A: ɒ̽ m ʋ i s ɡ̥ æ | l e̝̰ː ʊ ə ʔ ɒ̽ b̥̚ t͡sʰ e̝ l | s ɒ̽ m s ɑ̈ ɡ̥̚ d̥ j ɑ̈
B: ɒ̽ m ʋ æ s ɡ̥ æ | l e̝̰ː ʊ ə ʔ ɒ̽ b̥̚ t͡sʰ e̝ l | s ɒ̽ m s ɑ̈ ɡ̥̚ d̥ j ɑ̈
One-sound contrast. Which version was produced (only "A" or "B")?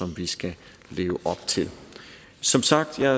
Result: A